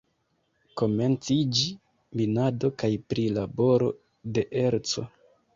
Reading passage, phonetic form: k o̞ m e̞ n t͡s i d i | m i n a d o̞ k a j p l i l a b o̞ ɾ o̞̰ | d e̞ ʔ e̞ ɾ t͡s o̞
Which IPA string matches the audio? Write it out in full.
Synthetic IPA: k o̞ m e̞ n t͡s i d͡ʒ i | m i n a d o̞ k a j p ɾ i l a b o̞ ɾ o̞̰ | d e̞ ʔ e̞ ɾ t͡s o̞